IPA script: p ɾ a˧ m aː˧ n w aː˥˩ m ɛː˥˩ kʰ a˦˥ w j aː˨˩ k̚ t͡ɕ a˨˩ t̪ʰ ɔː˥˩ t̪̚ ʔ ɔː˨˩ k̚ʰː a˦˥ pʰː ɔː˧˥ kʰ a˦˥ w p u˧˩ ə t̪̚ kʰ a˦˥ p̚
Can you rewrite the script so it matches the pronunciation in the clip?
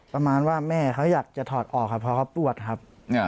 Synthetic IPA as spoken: p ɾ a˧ m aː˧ n w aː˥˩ m ɛː˥˩ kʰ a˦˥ w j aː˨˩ k̚ t͡ɕ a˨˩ t̪ʰ ɔː˨˩ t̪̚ ʔ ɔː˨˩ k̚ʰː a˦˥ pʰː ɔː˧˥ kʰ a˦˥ w p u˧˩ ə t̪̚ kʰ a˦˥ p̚